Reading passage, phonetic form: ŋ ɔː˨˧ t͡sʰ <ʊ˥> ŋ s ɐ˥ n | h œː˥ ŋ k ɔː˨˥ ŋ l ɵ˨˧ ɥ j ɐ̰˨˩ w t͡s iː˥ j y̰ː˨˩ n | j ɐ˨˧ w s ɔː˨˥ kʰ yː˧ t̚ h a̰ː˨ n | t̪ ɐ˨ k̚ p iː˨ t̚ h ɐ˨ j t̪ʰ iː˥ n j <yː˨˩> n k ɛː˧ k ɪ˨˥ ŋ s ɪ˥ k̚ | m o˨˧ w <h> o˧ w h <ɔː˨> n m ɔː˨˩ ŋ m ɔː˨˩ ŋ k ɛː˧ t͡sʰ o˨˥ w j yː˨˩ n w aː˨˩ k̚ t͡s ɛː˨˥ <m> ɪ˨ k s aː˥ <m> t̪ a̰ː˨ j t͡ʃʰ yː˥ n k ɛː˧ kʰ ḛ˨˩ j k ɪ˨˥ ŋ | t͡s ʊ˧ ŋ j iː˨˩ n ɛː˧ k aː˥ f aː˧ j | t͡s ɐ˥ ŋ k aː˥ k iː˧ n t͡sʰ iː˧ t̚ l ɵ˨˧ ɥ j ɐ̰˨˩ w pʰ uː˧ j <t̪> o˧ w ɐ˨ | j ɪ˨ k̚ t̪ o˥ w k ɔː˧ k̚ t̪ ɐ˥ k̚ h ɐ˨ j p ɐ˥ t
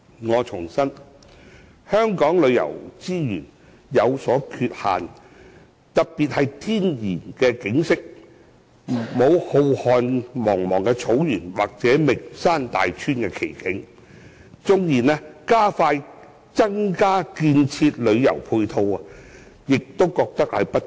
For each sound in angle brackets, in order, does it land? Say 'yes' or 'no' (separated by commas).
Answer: no, no, yes, yes, yes, no, no